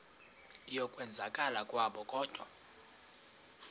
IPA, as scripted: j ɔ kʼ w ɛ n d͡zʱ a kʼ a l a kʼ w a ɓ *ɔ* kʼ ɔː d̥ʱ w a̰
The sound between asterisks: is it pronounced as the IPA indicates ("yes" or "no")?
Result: yes